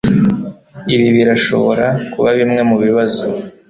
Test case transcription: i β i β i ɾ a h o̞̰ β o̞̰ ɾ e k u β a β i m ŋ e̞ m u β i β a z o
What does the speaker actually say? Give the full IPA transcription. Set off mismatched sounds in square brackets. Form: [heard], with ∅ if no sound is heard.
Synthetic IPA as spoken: i β i β i ɾ a [ʃ] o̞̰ β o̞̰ ɾ [a] k u β a β i m ŋ e̞ m u β i β a z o